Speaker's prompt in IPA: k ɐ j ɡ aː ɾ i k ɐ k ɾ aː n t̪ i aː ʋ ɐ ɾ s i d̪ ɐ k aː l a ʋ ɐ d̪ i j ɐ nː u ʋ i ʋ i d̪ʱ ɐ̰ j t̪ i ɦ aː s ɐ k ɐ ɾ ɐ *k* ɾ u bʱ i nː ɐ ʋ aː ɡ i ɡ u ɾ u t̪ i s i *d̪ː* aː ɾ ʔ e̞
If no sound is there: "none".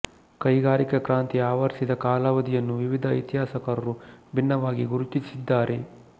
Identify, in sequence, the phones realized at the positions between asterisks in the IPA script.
none, d̪ː

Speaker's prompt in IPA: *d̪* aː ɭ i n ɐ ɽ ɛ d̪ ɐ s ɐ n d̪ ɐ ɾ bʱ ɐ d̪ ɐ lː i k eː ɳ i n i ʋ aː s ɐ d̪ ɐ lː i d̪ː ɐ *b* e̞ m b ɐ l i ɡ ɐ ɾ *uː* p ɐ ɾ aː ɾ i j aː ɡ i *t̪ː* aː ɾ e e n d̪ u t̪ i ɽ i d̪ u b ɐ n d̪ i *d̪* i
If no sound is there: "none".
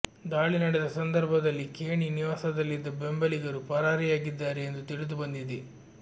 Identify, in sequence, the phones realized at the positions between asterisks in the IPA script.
d̪, b, u, d̪ː, d̪

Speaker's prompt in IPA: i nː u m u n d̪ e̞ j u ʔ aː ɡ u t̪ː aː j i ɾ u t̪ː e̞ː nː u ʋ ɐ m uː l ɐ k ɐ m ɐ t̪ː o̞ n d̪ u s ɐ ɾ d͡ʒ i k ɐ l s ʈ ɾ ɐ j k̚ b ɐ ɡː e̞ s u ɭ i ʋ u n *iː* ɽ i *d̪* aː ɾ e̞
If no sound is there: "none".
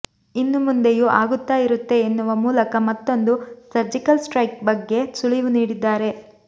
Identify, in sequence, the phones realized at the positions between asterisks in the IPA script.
iː, d̪ː

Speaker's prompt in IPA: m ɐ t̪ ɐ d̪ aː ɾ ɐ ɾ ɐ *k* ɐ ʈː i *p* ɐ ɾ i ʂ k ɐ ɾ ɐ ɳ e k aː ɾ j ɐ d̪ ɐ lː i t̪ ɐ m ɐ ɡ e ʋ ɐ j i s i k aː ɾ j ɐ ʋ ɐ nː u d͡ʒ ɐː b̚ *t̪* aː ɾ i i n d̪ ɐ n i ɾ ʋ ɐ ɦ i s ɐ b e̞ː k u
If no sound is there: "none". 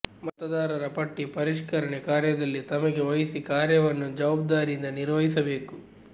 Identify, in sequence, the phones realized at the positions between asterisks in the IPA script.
p, p, d̪

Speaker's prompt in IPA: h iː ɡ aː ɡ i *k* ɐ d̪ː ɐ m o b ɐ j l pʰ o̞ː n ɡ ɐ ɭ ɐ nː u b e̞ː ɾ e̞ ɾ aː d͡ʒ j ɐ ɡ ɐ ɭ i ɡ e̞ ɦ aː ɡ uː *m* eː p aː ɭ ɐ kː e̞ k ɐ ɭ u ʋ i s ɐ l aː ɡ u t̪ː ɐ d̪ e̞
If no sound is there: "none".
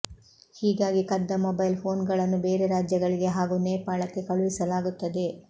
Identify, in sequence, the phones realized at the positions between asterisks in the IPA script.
k, n

